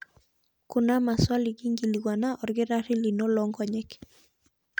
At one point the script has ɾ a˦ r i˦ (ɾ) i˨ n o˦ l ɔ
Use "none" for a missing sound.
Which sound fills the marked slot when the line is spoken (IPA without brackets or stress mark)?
l